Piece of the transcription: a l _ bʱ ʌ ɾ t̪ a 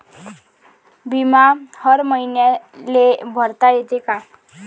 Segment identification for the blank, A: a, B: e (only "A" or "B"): B